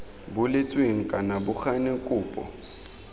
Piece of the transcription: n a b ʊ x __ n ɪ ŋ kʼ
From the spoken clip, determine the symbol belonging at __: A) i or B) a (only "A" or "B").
B